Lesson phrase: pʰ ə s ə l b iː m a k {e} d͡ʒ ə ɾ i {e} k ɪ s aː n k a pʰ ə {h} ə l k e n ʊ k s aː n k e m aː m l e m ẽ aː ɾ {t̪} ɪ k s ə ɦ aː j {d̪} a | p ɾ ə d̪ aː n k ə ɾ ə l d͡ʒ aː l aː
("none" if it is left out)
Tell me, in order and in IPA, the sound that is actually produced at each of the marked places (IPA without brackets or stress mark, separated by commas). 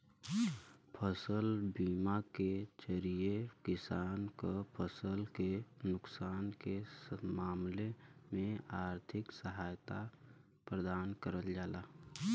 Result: e, e, s, t̪ʰ, t̪